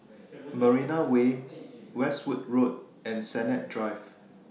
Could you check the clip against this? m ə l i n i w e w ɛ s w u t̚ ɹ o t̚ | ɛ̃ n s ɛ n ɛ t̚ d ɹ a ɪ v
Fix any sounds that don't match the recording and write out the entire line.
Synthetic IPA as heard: m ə ɹ i n a w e w ɛ s w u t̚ ɹ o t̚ | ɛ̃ n s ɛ n ɛ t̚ d ɹ a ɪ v